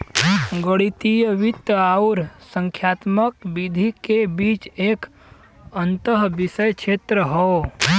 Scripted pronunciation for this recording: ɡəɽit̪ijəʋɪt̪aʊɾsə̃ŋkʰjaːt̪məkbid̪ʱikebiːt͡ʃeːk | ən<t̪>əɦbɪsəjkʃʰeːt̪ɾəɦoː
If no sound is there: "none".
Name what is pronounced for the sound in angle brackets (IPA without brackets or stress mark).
t̪